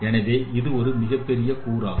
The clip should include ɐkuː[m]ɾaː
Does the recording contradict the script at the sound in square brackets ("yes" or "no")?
yes